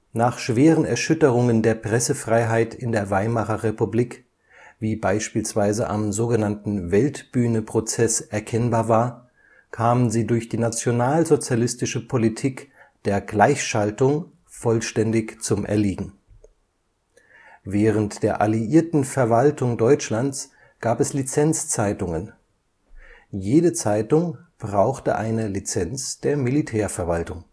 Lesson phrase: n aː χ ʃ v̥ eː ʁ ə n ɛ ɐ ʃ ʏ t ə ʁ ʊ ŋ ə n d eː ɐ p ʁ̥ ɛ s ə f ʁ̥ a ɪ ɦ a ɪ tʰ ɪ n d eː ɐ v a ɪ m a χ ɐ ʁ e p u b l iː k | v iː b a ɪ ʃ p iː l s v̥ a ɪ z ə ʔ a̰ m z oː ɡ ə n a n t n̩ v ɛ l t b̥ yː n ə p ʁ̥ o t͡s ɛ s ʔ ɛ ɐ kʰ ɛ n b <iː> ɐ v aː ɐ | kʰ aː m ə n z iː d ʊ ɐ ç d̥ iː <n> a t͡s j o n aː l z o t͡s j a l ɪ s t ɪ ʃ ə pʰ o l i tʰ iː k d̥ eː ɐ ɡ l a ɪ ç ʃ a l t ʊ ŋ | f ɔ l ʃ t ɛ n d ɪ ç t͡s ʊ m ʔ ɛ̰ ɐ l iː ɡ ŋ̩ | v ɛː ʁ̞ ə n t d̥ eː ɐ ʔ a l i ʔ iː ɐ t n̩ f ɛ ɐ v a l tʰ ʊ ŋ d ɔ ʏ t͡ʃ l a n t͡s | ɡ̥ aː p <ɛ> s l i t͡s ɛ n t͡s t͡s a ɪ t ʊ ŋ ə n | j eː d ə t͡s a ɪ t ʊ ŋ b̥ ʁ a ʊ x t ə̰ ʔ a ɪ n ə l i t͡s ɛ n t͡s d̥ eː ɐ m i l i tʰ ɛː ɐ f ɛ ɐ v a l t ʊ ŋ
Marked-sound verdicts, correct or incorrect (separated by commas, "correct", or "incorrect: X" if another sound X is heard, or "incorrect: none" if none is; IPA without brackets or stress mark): incorrect: aː, correct, correct